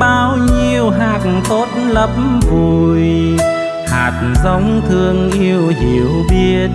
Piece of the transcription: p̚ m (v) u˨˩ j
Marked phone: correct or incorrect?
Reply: correct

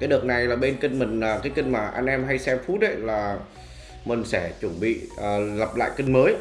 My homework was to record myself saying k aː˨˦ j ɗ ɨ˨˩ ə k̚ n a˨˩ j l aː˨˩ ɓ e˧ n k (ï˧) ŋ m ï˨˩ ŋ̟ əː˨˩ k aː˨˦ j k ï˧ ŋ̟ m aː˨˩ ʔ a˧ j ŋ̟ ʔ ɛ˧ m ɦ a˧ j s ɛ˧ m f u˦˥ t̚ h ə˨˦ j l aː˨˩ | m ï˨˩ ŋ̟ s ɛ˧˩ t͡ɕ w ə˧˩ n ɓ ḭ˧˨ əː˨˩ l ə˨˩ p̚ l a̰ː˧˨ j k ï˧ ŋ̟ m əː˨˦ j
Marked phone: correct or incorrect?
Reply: correct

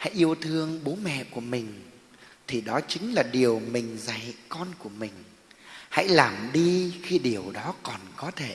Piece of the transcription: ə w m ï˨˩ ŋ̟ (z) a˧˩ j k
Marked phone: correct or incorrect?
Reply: correct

